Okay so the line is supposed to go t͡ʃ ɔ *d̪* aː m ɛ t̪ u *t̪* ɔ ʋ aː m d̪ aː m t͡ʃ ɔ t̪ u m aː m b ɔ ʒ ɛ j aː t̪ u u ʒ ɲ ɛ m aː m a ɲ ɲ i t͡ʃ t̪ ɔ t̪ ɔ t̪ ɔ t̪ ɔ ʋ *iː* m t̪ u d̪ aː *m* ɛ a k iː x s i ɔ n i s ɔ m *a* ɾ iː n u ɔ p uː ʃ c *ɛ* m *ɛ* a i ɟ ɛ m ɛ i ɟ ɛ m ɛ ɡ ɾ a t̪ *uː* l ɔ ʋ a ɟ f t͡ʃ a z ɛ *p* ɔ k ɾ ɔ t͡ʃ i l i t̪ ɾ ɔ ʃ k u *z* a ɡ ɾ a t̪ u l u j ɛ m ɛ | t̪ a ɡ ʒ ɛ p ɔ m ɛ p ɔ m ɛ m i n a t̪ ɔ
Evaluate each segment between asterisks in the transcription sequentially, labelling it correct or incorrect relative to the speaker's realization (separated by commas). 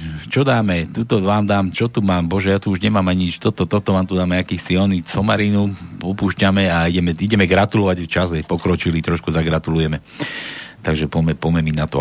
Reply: correct, correct, incorrect, correct, correct, incorrect, correct, incorrect, correct, correct